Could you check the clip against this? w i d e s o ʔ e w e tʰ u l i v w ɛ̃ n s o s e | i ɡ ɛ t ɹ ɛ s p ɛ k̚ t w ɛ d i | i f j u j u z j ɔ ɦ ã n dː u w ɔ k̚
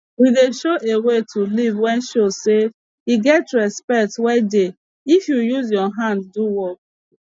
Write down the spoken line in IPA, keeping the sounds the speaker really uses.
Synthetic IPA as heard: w i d e ʃ o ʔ e w e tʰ u l i v w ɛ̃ n ʃ o s e | i ɡ ɛ t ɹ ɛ s p ɛ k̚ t w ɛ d e | i f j u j u z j ɔ ɦ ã n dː u w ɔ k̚